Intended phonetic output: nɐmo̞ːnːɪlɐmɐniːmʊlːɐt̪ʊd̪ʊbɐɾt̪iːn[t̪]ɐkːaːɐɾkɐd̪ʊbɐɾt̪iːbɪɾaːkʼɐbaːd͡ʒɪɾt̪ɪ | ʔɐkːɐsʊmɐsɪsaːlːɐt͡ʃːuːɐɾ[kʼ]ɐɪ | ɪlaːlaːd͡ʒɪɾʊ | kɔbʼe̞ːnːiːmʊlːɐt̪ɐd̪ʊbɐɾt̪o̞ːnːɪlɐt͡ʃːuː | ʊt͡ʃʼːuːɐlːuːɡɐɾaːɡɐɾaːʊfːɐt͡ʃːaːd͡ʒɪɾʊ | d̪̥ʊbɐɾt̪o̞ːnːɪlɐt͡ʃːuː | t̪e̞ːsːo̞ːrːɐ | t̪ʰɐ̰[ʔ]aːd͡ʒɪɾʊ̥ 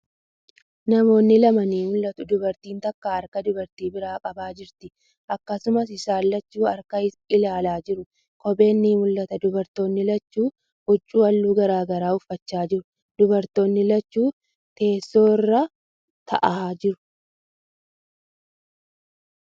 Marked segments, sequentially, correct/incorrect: correct, incorrect, correct

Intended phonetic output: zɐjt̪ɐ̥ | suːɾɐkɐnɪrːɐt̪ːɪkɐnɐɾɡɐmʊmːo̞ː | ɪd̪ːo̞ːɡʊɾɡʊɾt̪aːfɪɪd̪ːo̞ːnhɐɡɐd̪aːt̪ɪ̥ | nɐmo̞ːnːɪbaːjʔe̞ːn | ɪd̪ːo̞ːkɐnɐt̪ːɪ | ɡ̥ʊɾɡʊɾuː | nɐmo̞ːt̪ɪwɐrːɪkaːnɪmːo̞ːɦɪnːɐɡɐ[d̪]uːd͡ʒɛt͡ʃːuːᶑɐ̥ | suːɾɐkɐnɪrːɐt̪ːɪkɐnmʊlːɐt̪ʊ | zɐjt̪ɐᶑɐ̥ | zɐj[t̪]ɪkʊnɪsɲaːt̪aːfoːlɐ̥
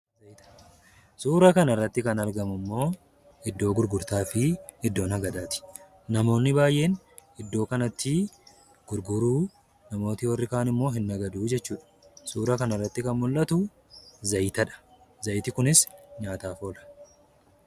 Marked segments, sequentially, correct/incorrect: correct, correct

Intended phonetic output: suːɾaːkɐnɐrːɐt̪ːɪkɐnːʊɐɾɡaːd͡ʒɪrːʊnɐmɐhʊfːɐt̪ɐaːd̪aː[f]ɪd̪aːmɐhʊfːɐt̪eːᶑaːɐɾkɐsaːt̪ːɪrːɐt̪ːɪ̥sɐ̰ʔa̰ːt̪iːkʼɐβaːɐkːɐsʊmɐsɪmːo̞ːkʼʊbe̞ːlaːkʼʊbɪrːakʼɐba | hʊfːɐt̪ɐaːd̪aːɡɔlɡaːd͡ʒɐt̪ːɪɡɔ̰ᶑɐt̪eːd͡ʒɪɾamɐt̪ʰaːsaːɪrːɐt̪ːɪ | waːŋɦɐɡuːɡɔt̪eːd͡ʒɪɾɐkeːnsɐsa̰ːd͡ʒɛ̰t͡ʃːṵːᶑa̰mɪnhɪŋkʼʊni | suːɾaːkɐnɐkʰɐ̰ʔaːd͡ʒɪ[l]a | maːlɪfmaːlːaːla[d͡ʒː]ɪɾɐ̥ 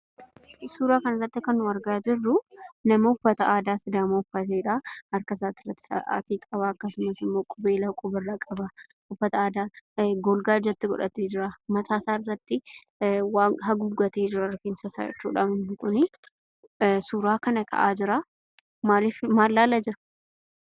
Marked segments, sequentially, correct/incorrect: incorrect, incorrect, incorrect

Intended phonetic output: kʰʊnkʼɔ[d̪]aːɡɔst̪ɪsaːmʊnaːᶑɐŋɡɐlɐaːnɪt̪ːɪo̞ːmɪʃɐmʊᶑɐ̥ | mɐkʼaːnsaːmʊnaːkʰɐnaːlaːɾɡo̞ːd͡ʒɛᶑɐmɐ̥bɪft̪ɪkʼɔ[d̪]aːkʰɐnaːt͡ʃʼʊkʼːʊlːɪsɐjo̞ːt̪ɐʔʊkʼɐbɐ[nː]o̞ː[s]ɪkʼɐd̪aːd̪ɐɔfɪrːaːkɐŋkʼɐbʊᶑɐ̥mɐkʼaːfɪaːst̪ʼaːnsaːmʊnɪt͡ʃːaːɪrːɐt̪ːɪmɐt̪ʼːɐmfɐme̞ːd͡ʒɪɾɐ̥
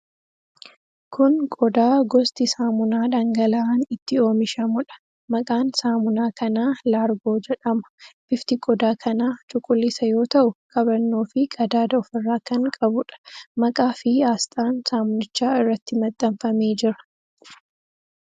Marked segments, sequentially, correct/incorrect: correct, correct, correct, incorrect

